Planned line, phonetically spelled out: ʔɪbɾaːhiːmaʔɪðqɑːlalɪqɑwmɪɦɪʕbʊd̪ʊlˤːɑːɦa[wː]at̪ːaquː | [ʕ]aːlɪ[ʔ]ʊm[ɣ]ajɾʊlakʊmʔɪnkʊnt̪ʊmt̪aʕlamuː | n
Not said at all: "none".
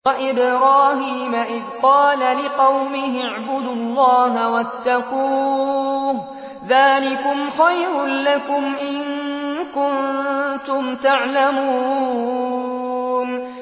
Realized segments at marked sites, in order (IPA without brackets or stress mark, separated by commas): w, ð, k, x